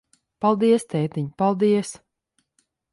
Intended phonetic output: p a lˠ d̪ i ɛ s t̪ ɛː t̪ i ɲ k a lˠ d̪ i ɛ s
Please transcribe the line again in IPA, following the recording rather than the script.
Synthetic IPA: p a lˠ d̪ i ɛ s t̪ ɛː t̪ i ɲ p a lˠ d̪ i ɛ s

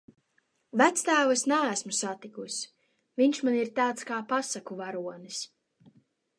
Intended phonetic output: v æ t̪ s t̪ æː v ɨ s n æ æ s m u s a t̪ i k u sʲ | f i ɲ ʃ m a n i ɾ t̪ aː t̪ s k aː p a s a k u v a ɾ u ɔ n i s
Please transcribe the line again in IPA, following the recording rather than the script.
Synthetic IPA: v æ t̪ s t̪ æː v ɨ s n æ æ s m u s a t̪ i k u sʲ | v i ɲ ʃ m a n i ɾ t̪ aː t̪ s k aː p a s a k u v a ɾ u ɔ n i s

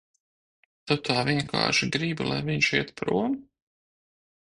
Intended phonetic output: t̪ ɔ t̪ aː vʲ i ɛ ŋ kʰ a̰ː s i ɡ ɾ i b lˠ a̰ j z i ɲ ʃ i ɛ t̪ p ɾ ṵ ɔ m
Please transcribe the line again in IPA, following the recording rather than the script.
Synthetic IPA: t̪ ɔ t̪ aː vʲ i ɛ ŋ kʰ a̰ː ʃ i ɡ ɾ i b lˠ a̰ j v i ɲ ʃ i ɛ t̪ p ɾ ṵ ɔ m

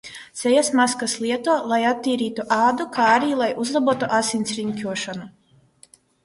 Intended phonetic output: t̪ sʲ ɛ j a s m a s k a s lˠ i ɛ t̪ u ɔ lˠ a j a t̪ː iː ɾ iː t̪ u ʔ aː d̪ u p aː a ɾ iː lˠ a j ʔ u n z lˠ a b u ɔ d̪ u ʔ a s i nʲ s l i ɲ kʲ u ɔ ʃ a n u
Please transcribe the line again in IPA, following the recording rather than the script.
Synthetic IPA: t̪ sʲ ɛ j a s m a s k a s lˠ i ɛ t̪ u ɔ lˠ a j a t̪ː iː ɾ iː t̪ u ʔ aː d̪ u k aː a ɾ iː lˠ a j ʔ u z lˠ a b u ɔ t̪ u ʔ a s i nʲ s ɾ i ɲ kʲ u ɔ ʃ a n u

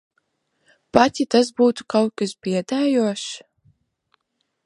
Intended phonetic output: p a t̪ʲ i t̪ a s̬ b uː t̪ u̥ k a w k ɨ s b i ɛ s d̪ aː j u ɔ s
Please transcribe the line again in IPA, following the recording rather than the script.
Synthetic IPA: p a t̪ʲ i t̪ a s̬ b uː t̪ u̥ k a w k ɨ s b i ɛ d̪ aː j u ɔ ʃ

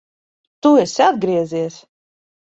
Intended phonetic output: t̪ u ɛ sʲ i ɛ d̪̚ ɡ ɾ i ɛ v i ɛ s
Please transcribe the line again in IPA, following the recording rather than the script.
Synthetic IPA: t̪ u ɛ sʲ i a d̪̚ ɡ ɾ i ɛ z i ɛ s

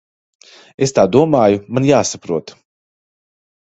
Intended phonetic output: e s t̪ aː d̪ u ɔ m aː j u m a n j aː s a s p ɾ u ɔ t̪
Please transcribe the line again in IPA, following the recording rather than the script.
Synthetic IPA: e s t̪ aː d̪ u ɔ m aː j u m a n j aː s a p ɾ u ɔ t̪

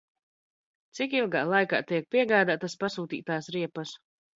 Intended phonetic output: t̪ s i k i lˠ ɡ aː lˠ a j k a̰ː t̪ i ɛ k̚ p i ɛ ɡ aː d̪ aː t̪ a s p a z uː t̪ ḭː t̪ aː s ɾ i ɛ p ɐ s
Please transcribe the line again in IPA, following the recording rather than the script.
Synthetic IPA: t̪ s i k i lˠ ɡ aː lˠ a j k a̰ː t̪ i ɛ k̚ p i ɛ ɡ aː d̪ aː t̪ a s p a s uː t̪ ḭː t̪ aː s ɾ i ɛ p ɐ s

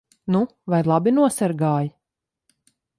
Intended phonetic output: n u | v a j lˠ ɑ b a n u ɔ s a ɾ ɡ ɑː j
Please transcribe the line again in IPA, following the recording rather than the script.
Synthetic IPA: n u | v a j lˠ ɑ b i n u ɔ s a ɾ ɡ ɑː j

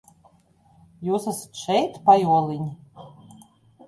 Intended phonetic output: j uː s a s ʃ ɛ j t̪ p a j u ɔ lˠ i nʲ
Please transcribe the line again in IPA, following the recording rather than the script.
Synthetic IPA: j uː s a s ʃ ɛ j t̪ p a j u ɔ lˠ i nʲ

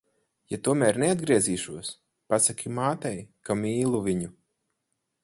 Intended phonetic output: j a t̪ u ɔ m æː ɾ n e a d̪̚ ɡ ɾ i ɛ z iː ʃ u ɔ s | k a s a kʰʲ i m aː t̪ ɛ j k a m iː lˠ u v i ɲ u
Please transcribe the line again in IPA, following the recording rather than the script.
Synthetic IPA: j a t̪ u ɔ m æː ɾ n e a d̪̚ ɡ ɾ i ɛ z iː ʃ u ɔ s | p a s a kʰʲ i m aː t̪ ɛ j k a m iː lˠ u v i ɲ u

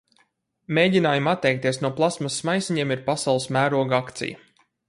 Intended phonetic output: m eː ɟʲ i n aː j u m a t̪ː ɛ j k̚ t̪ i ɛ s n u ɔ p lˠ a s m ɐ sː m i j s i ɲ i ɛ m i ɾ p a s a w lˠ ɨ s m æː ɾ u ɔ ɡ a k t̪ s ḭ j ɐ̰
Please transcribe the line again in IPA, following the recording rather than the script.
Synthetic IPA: m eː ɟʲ i n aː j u m a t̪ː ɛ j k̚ t̪ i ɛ s n u ɔ p lˠ a s m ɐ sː m a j s i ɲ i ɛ m i ɾ p a s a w lˠ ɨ s m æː ɾ u ɔ ɡ a k t̪ s ḭ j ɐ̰

